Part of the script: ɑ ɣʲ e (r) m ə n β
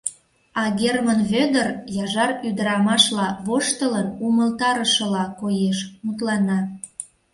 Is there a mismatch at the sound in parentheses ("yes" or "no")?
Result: no